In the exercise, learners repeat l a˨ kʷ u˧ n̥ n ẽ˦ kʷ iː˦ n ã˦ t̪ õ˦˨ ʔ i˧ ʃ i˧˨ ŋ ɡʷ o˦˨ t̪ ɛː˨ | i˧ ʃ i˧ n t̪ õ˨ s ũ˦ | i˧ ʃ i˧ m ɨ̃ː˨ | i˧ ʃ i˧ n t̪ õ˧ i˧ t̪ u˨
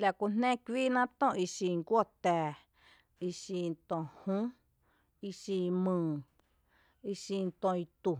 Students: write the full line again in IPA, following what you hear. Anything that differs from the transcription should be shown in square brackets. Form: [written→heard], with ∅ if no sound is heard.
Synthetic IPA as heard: l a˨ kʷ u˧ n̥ n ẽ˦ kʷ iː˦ n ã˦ t̪ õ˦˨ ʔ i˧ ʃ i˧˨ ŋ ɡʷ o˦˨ t̪ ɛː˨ | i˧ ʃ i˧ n t̪ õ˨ [s→h] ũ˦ | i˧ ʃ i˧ m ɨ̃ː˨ | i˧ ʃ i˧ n t̪ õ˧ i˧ t̪ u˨

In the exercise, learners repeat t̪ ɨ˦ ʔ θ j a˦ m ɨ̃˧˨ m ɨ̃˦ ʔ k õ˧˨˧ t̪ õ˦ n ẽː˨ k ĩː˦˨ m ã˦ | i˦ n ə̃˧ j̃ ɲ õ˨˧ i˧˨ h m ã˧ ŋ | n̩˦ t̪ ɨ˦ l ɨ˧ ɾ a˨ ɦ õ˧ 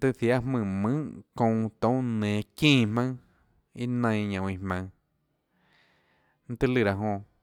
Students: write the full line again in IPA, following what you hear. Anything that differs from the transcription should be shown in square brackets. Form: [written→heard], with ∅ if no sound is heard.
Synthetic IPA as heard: t̪ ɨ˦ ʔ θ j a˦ m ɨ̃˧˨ m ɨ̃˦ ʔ k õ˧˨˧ t̪ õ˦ n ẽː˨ k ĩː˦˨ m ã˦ | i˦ n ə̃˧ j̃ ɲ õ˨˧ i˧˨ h m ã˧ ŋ | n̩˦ t̪ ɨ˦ l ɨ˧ ɾ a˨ ɦ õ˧

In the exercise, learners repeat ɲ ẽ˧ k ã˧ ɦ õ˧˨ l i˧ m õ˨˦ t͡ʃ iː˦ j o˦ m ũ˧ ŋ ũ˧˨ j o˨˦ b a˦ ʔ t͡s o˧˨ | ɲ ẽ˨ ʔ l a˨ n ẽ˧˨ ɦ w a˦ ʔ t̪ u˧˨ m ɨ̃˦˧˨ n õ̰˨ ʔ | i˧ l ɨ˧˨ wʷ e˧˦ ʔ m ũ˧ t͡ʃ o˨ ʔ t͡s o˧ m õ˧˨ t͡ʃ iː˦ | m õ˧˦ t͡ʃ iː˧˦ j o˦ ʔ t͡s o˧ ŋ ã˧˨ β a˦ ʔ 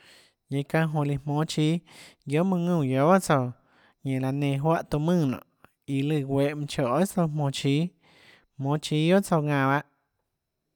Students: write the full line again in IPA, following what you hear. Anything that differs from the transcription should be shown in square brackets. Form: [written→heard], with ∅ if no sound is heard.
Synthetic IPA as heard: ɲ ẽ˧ k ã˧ ɦ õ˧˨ l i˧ m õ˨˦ t͡ʃ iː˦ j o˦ m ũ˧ ŋ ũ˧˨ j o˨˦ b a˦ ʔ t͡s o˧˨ | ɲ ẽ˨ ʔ l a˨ n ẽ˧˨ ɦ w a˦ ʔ t̪ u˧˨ m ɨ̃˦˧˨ n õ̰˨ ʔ | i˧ l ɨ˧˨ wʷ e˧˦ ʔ m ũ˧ t͡ʃ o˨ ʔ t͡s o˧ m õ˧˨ t͡ʃ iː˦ | m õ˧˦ t͡ʃ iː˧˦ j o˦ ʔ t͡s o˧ ŋ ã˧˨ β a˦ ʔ

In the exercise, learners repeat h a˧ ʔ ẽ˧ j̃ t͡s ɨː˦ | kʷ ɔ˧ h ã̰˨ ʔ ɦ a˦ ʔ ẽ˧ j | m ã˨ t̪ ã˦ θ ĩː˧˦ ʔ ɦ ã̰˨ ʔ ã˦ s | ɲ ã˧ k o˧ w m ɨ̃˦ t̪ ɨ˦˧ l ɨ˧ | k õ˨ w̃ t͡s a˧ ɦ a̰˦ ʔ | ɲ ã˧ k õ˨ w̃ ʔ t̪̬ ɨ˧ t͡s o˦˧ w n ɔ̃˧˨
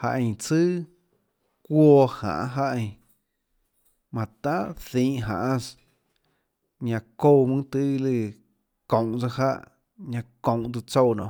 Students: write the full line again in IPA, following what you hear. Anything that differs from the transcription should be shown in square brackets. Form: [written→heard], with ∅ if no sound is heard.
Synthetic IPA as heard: h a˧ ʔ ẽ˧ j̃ t͡s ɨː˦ | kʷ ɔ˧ h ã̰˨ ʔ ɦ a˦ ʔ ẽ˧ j | m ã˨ t̪ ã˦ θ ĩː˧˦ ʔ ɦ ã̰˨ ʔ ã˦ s | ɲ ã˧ k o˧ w m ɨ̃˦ t̪ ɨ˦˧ l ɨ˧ | k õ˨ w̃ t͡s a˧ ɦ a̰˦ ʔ | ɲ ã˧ k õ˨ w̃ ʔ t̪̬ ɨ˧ t͡s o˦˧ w n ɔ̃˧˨

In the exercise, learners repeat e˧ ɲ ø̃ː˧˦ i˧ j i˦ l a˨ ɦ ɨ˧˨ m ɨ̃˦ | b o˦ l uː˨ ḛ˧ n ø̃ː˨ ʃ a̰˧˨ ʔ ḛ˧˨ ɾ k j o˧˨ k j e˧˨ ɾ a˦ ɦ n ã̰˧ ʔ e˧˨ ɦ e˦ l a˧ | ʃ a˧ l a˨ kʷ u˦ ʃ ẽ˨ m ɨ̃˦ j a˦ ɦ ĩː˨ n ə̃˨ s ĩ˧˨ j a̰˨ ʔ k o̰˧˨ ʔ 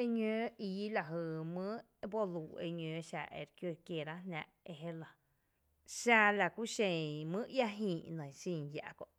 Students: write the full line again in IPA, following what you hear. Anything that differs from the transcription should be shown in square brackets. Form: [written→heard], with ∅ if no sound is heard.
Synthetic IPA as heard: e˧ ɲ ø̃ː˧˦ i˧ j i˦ l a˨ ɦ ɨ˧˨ m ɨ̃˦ | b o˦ l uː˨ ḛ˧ [n→ɲ] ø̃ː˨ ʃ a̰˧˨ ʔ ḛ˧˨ ɾ k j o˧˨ k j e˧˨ ɾ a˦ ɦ n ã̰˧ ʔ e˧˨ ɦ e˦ l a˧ | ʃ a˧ l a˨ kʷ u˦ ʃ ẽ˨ m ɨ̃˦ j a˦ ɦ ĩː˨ n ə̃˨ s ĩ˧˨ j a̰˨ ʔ k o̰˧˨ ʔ

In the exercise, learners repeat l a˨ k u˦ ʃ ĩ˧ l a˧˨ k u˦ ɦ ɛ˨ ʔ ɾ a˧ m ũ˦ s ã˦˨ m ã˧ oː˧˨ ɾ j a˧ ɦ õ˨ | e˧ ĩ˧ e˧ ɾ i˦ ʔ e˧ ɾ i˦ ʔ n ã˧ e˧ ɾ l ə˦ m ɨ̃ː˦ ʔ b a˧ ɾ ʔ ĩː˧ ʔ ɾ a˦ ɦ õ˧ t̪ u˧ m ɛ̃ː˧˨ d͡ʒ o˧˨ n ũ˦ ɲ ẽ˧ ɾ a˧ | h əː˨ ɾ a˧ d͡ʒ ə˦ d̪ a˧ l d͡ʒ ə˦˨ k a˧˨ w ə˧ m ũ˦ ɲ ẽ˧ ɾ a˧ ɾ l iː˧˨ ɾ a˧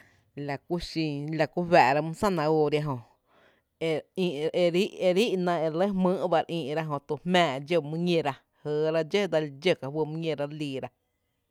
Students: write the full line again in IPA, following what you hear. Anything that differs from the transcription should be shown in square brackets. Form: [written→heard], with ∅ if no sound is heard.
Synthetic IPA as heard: l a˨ k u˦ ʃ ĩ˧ l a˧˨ k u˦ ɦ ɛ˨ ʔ ɾ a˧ m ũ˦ s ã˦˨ [m→n] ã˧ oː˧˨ ɾ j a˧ ɦ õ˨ | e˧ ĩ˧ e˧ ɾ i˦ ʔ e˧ ɾ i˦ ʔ n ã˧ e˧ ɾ l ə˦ m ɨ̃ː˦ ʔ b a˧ ɾ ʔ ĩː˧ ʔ ɾ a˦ ɦ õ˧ t̪ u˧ m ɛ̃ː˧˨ d͡ʒ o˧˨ [n→m] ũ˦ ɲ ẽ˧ ɾ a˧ | h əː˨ ɾ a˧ d͡ʒ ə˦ d̪ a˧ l d͡ʒ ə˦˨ k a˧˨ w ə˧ m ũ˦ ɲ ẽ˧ ɾ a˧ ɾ l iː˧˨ ɾ a˧

